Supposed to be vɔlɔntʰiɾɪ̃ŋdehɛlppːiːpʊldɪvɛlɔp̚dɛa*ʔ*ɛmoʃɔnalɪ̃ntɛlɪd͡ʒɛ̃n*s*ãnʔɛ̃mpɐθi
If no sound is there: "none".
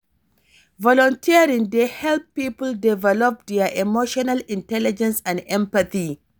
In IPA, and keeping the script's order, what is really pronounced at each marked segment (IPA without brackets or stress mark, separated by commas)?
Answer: ʔ, s